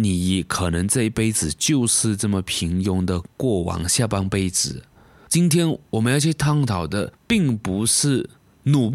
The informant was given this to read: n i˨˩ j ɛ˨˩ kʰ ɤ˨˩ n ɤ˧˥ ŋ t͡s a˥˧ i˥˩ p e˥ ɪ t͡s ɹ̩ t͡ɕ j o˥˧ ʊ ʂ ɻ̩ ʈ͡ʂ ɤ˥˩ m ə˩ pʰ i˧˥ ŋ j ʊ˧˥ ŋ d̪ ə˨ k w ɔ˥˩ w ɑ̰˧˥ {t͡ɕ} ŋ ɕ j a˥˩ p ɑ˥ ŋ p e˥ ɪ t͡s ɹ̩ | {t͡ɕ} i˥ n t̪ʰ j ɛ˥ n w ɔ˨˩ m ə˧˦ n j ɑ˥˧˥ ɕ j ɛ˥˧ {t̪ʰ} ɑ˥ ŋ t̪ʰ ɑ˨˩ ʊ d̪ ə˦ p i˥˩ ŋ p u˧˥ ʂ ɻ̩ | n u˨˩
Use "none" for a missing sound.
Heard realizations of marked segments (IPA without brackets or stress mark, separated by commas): none, t͡ɕ, t̪ʰ